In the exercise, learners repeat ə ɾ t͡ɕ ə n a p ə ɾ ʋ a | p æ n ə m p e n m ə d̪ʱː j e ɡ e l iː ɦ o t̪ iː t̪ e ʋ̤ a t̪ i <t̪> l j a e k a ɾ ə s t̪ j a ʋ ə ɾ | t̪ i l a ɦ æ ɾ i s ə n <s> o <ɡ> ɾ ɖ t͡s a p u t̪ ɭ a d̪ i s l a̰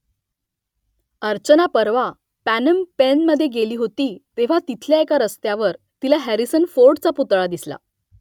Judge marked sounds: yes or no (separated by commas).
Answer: no, no, no